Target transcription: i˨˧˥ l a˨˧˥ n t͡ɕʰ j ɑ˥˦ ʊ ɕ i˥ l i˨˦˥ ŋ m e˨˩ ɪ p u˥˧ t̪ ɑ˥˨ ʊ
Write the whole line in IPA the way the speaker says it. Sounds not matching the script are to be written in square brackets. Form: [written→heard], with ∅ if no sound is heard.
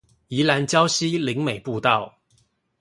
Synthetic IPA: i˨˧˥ l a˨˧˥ n [t͡ɕʰ→t͡ɕ] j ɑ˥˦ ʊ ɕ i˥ l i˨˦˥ ŋ m e˨˩ ɪ p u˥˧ t̪ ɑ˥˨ ʊ